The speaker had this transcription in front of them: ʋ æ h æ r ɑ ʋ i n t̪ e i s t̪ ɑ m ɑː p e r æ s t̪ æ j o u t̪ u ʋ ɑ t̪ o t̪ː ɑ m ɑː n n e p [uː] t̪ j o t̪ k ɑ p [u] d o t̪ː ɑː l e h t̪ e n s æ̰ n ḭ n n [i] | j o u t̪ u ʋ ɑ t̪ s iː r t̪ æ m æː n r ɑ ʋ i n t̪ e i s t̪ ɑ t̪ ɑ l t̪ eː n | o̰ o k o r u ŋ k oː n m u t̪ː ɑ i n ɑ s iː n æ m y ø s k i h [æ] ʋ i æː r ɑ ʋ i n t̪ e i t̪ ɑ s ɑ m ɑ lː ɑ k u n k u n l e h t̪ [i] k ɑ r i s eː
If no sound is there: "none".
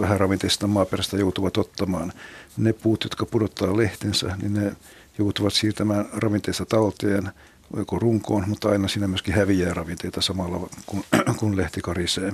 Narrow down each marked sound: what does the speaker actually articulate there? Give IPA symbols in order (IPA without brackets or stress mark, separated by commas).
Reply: uː, u, e, æ, i